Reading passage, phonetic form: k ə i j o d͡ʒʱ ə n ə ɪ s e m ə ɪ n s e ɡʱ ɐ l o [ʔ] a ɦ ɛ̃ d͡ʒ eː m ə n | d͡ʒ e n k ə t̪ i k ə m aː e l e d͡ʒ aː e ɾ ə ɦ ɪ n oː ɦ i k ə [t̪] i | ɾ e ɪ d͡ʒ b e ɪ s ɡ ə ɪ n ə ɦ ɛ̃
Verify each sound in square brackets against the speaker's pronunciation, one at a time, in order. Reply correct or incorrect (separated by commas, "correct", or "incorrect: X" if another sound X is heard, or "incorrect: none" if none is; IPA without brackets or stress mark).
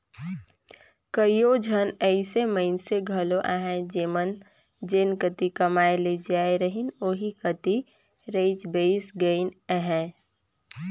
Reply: correct, correct